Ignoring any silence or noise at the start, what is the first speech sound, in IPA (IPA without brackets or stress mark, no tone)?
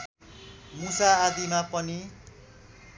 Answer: m